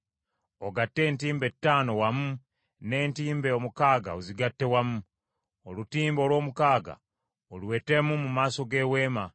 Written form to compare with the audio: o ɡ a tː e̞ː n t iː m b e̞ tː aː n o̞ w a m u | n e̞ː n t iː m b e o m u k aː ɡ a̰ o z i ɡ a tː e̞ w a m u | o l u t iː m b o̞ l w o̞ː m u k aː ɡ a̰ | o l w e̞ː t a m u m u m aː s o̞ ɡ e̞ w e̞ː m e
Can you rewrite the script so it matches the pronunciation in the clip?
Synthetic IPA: o ɡ a tː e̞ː n t iː m b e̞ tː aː n o̞ w a m u | n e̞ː n t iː m b e o m u k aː ɡ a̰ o z i ɡ a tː e̞ w a m u | o l u t iː m b o̞ l w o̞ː m u k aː ɡ a̰ | o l w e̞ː t e m u m u m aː s o̞ ɡ e̞ w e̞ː m a

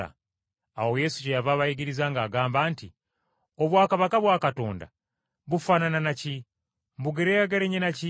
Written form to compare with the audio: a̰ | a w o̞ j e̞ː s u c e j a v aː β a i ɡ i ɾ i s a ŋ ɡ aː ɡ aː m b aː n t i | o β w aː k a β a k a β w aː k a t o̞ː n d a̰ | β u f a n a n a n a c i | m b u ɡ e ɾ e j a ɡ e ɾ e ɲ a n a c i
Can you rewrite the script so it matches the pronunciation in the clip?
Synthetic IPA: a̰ | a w o̞ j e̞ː s u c e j a v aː β a i ɡ i ɾ i z a ŋ ɡ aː ɡ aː m b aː n t i | o β w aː k a β a k a β w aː k a t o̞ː n d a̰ | β u f a n a n a n a c i | m b u ɡ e ɾ e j a ɡ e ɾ e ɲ e n a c i

